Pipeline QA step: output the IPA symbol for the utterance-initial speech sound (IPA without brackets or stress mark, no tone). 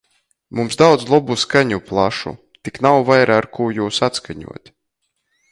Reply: m